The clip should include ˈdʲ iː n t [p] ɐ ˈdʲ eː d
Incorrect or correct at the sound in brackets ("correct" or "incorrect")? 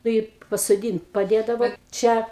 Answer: correct